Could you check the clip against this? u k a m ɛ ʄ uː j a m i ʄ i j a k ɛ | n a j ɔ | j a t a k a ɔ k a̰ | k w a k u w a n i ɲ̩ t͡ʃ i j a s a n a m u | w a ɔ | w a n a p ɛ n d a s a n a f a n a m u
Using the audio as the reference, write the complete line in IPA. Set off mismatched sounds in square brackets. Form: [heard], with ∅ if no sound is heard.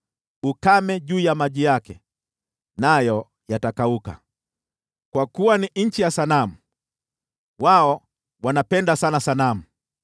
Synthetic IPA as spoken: u k a m ɛ ʄ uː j a m [a] ʄ i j a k ɛ | n a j ɔ | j a t a k a [u] k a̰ | k w a k u w a n i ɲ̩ t͡ʃ i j a s a n a m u | w a ɔ | w a n a p ɛ n d a s a n a [s] a n a m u